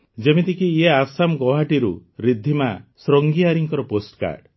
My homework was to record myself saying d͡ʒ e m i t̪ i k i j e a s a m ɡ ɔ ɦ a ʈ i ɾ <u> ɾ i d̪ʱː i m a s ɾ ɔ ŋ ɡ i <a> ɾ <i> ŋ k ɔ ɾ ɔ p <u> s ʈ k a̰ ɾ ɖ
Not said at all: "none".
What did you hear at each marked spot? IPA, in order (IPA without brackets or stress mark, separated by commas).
u, a, i, o